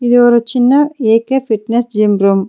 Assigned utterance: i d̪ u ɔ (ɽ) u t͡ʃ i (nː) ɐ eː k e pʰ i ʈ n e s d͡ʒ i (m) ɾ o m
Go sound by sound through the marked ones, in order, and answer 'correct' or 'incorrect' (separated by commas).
incorrect, correct, correct